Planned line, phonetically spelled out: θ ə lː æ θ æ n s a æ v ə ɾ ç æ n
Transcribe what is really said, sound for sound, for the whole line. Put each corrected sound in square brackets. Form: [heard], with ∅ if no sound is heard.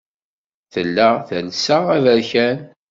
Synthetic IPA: θ ə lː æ θ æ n s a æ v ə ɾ ç æ n